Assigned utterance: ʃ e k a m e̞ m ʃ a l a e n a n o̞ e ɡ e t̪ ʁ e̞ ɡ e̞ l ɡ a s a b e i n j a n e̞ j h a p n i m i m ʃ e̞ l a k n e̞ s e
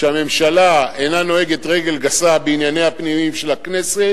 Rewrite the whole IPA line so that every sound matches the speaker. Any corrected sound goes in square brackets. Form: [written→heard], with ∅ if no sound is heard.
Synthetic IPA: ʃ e [k→∅] a m e̞ m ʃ a l a e n a n o̞ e ɡ e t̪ ʁ e̞ ɡ e̞ l ɡ a s a b e i n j a n e̞ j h a p n i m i m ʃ e̞ l a k n e̞ s e